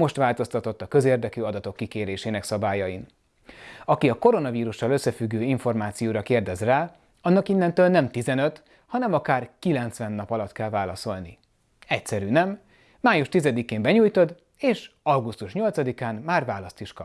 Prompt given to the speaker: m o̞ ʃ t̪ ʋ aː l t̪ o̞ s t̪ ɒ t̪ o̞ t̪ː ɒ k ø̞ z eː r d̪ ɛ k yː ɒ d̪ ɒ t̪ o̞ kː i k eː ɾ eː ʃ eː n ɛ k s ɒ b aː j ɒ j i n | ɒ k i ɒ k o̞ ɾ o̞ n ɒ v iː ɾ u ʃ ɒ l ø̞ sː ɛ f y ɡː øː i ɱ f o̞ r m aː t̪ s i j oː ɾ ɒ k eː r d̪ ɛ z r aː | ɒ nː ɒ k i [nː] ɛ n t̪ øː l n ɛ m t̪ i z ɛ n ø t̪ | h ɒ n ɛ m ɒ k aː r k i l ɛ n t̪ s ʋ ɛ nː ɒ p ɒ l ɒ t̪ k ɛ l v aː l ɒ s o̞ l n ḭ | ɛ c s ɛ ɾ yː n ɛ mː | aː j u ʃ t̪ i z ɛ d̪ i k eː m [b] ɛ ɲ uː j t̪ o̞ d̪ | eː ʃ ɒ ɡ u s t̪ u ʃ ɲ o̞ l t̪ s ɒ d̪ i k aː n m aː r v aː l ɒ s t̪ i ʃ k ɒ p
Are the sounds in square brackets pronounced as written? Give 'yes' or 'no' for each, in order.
yes, yes

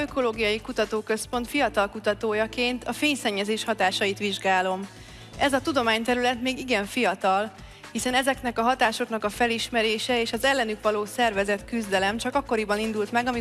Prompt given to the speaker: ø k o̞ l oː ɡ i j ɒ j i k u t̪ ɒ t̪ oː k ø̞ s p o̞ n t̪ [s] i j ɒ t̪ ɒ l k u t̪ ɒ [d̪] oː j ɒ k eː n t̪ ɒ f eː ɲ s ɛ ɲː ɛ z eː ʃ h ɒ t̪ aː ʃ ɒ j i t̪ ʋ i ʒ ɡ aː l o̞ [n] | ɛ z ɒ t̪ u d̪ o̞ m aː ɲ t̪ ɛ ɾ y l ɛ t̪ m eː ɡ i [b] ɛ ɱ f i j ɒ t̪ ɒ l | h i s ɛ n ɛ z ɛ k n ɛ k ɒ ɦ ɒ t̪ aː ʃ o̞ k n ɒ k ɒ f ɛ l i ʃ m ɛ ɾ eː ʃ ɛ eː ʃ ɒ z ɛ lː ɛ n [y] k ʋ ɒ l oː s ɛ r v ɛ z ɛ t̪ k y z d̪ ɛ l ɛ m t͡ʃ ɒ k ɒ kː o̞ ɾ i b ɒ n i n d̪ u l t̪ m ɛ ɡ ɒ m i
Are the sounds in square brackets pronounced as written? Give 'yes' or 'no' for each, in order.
no, no, no, no, yes

